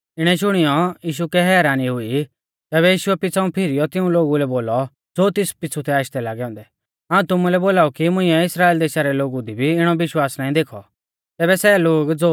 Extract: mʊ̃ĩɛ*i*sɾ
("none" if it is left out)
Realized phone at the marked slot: ɪ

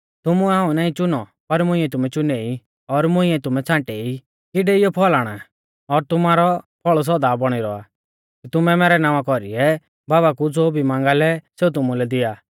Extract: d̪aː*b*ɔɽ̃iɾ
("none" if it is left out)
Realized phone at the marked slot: b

